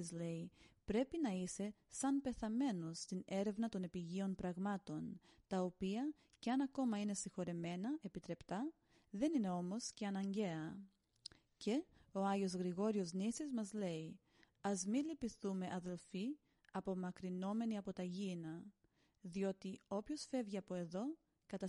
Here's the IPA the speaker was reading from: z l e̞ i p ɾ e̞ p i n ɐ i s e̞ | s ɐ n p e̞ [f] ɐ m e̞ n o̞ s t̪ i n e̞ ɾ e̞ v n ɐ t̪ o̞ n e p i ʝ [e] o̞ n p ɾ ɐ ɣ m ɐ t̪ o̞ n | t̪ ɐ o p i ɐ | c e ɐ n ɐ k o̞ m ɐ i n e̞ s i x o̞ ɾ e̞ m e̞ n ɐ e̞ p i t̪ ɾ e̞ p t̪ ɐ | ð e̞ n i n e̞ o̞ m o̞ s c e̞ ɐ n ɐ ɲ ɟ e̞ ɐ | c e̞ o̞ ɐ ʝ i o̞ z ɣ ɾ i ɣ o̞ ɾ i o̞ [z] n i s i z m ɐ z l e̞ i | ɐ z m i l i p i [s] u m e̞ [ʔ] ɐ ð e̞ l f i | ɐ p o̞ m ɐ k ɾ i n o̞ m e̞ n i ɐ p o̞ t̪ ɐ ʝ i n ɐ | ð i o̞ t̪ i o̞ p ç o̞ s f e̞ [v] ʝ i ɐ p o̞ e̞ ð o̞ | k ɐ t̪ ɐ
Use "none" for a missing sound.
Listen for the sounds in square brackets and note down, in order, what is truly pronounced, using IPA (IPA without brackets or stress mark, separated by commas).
θ, i, z, θ, ʔ, v